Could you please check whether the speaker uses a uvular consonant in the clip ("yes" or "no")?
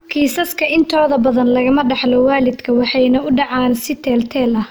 no